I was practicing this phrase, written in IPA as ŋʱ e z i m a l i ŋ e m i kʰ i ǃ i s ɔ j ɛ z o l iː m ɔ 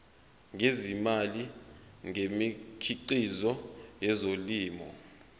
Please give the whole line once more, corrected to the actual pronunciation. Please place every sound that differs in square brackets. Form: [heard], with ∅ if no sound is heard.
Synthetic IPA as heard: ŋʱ e z i m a l i ŋ e m i kʰ i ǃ i [z] ɔ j ɛ z o l iː m ɔ